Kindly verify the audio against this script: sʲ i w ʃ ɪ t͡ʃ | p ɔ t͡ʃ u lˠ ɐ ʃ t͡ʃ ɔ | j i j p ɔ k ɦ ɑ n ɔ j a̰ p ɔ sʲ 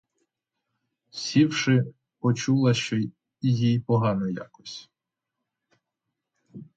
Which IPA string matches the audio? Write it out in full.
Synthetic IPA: sʲ i w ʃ ɪ | p ɔ t͡ʃ u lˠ ɐ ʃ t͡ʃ ɔ | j i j p ɔ ɦ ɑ n ɔ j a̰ k ɔ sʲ